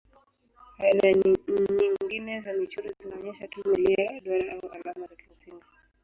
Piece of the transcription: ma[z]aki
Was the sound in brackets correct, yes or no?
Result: yes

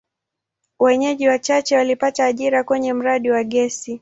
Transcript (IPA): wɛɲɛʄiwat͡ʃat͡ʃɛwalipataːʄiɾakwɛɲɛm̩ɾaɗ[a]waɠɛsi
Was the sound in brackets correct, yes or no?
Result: no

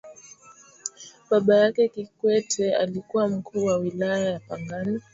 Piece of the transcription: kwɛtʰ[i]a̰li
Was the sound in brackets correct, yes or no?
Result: no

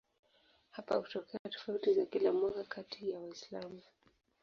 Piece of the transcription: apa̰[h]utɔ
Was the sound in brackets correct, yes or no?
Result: yes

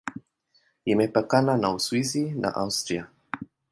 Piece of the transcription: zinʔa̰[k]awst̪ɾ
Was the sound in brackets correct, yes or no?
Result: no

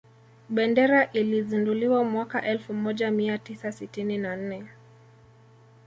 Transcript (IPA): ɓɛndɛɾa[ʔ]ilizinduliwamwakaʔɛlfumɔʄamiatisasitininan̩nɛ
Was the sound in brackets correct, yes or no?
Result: yes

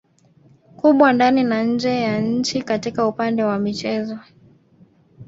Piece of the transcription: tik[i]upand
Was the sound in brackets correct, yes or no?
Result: no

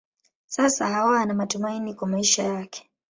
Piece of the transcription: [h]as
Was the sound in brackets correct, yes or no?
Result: no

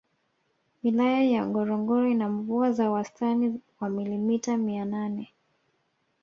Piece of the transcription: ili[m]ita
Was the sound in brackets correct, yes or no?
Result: yes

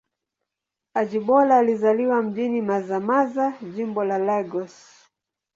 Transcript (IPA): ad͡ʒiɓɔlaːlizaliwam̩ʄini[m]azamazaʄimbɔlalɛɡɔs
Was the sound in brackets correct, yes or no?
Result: yes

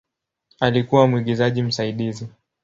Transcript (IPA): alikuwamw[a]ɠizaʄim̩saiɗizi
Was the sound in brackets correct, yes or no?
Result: no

